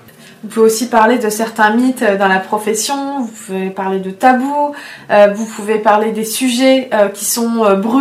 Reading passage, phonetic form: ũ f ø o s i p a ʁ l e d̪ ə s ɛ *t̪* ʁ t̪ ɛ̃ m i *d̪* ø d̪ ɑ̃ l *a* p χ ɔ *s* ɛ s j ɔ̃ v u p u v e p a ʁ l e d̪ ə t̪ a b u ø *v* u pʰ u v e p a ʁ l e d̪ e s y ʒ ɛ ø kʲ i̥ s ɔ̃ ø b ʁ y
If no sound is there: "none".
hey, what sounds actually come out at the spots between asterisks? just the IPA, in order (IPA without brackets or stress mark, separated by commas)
none, t̪, a, f, v